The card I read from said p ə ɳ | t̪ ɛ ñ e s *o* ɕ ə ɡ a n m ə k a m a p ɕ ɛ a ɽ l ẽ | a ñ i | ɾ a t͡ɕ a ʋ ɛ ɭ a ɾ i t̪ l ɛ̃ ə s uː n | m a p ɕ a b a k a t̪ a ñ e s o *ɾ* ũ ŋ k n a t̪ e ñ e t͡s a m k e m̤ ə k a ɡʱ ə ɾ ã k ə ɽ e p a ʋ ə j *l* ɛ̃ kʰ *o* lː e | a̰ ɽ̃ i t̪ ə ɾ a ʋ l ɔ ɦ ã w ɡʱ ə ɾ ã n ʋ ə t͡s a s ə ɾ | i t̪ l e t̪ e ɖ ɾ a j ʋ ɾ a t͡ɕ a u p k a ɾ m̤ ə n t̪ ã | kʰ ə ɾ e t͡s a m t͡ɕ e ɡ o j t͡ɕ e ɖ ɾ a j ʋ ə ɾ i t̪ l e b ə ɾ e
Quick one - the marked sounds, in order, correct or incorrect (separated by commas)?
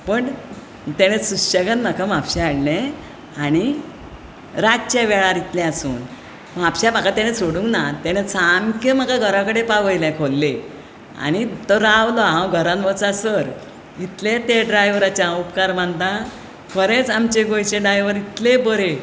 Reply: incorrect, incorrect, correct, correct